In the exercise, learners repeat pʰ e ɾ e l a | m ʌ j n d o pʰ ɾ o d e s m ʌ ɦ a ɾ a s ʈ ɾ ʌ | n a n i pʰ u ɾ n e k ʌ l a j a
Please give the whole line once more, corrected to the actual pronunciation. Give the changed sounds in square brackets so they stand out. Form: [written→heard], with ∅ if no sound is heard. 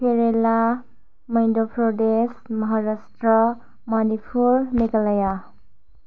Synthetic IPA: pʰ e ɾ e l a | m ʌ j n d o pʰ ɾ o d e s m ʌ ɦ a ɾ a s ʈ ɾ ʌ | [n→m] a n i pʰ u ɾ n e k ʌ l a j a

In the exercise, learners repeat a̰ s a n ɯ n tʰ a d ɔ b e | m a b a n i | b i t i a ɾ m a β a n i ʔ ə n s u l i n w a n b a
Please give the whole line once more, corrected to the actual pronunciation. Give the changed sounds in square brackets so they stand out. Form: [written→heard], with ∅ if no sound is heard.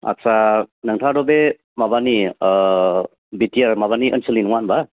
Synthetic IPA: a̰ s a n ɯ [n→ŋ] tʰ a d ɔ b e | m a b a n i | b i t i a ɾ m a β a n i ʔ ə n s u l i n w a n b a

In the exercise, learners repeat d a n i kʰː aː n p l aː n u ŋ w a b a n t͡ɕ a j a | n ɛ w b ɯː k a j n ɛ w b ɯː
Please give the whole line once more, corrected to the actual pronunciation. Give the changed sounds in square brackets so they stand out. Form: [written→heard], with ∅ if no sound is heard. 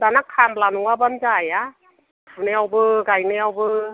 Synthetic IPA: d a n [i→a] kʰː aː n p l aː n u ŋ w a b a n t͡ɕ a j a | n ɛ w b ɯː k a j n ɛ w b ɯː

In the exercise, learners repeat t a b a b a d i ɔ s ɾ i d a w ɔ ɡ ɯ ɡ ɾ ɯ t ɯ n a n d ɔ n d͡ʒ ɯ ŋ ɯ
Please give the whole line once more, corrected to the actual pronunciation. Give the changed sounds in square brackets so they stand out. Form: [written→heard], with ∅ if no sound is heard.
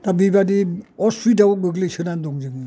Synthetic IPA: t a b [a→i] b a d i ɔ s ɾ i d a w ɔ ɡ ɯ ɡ [ɾ→l] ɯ [t→s] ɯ n a n d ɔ [n→ŋ] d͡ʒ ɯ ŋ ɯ

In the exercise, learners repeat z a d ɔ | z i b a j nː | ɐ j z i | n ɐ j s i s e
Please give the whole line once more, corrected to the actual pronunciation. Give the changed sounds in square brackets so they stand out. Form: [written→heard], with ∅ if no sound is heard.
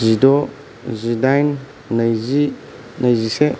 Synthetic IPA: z [a→i] d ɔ | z i [b→d] a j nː | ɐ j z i | n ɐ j [s→z] i s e

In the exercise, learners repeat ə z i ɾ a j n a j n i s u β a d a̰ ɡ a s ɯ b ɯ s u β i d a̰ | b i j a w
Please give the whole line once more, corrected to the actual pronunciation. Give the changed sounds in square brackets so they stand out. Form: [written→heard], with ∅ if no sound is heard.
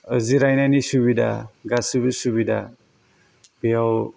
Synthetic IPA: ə z i ɾ a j n a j n i s u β [a→i] d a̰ ɡ a s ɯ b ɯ s u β i d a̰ | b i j a w

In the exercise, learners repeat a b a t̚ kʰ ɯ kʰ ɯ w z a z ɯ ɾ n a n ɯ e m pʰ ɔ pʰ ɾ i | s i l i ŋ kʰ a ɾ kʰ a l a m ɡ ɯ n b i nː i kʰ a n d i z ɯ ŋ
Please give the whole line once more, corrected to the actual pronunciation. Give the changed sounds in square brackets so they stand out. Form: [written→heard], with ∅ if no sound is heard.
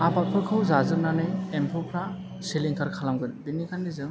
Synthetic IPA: a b a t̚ [kʰ→pʰ] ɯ kʰ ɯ w z a z ɯ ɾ n a n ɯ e m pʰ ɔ pʰ ɾ [i→a] | s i l i ŋ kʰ a ɾ kʰ a l a m ɡ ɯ n b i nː i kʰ a n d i z ɯ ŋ

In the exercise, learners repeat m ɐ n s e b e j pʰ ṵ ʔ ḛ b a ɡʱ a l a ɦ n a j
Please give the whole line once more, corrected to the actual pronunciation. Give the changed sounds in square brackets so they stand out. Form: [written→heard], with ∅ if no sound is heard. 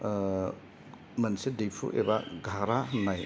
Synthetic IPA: m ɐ n s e [b→d] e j pʰ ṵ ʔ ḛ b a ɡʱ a [l→ɾ] a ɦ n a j

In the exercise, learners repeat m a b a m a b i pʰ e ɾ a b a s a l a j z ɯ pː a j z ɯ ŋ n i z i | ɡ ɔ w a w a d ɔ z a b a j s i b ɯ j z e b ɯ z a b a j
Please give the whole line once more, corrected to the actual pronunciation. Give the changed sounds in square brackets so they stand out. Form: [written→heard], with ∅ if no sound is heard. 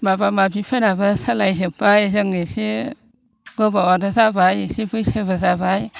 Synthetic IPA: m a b a m a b i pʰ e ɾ a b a s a l a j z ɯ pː a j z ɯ ŋ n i [z→s] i | ɡ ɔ [w→b] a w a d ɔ z a b a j s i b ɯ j [z→s] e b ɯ z a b a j

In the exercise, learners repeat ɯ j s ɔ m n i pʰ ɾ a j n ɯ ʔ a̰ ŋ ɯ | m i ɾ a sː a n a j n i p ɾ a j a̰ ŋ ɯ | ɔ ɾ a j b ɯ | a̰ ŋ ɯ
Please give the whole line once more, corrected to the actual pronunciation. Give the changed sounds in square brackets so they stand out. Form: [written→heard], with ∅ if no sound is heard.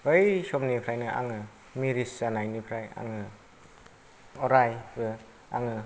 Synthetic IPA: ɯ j s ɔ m n i pʰ ɾ a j n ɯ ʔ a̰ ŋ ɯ | m i ɾ [a→i] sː a n a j n i [p→pʰ] ɾ a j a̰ ŋ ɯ | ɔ ɾ a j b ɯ | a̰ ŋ ɯ

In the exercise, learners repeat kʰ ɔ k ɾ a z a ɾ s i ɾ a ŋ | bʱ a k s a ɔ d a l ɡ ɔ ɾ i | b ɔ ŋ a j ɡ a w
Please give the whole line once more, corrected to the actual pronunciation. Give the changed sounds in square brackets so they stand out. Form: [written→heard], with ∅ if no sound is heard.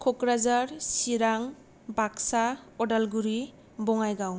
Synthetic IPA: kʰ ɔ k ɾ a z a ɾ s i ɾ a ŋ | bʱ a k s a ɔ d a l ɡ [ɔ→u] ɾ i | b ɔ ŋ a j ɡ a w

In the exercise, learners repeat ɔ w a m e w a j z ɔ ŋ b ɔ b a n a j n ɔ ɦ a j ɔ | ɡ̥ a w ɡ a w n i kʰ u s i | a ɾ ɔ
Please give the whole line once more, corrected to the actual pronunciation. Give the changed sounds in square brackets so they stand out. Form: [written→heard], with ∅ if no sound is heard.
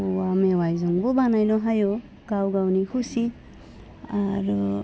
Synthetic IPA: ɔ w a m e w a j z ɔ ŋ b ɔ b a n a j n ɔ ɦ a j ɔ | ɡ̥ a w ɡ a w n i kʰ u s i | a ɾ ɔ

